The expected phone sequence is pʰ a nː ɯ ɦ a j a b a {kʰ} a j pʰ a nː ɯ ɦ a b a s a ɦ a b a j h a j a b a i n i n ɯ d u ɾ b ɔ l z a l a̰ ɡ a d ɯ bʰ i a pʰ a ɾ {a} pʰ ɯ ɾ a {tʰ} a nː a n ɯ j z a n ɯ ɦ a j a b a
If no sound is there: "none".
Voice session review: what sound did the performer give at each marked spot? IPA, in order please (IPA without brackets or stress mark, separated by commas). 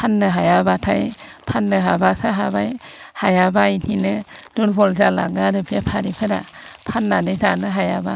tʰ, i, pʰ